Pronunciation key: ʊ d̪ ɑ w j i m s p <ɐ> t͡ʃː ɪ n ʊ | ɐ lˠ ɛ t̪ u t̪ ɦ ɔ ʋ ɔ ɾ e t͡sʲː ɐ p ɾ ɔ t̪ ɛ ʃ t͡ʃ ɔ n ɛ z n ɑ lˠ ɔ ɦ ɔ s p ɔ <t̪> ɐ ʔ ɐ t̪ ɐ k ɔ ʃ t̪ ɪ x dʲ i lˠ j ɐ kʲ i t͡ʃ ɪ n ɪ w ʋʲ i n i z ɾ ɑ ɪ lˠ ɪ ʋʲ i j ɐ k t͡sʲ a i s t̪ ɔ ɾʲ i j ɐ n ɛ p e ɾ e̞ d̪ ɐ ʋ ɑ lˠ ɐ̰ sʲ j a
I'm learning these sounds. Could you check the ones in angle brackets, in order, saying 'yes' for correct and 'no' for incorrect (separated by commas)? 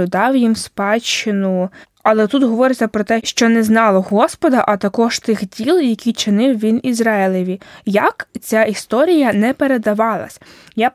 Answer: no, no